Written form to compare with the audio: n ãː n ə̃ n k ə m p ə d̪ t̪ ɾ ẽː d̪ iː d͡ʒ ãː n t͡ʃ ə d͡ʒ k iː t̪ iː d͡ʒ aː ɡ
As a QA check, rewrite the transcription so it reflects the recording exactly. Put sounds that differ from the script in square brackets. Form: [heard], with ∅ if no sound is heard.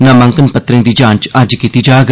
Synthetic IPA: n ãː [m] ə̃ [ŋ] k ə [n] p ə [∅] t̪ ɾ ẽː d̪ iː d͡ʒ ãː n t͡ʃ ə d͡ʒ k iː t̪ iː d͡ʒ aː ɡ

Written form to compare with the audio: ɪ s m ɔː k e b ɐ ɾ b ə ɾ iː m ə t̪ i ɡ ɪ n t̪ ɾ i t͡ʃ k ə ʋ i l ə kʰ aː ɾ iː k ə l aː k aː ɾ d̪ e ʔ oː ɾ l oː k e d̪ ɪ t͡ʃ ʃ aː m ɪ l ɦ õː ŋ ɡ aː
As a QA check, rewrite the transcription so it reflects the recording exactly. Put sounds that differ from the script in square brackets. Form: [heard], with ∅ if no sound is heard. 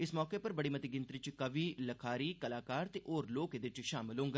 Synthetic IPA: ɪ s m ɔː k e [p] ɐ ɾ b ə [ɽ] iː m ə t̪ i ɡ ɪ n t̪ ɾ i t͡ʃ k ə ʋ i l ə kʰ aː ɾ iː k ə l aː k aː ɾ [t̪] e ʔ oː ɾ l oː k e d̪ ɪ t͡ʃ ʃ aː m ɪ l ɦ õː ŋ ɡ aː

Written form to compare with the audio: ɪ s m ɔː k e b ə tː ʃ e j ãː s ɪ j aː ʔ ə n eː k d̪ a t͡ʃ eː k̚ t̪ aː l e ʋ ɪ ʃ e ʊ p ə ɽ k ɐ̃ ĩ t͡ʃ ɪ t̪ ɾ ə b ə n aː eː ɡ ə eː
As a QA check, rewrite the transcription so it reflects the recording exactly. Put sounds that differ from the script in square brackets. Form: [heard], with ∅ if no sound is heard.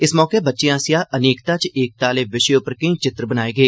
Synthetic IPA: ɪ s m ɔː k e b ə tː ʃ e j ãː s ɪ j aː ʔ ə n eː k [t̪] a t͡ʃ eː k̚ t̪ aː l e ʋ ɪ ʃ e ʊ p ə [ɾ] k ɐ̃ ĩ t͡ʃ ɪ t̪ ɾ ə b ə n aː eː ɡ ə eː

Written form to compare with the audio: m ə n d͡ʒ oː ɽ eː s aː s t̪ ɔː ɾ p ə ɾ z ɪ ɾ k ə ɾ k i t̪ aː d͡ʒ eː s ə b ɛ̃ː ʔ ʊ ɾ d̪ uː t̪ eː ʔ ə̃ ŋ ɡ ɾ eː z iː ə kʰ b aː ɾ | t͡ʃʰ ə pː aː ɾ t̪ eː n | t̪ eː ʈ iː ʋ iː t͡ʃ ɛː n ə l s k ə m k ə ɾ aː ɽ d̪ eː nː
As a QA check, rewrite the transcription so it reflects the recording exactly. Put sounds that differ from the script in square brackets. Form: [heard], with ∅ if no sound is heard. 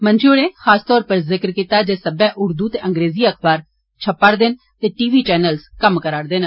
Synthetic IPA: m ə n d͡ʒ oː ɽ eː [x] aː s t̪ ɔː ɾ p ə ɾ z ɪ [∅] k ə ɾ k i t̪ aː d͡ʒ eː s ə b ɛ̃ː ʔ ʊ ɾ d̪ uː t̪ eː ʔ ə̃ ŋ ɡ ɾ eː z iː ə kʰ b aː ɾ | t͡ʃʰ ə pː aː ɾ [d̪] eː n | t̪ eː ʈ iː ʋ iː t͡ʃ ɛː n ə l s k ə m k ə ɾ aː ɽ d̪ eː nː

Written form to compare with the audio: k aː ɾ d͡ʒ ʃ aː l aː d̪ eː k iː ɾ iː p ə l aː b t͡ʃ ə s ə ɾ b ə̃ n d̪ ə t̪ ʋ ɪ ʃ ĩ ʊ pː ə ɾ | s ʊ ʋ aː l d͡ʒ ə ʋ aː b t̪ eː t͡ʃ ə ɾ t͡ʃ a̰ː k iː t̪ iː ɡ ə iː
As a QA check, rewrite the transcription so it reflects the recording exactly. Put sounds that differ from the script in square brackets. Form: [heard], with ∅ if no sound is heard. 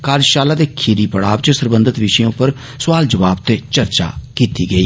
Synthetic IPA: k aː ɾ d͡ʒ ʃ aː l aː d̪ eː [kʰ] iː ɾ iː p ə [ɽ] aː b t͡ʃ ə s ə ɾ b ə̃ n d̪ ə t̪ ʋ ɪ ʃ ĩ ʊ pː ə ɾ | s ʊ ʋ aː l d͡ʒ ə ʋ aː b t̪ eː t͡ʃ ə ɾ t͡ʃ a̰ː k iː t̪ iː ɡ ə iː

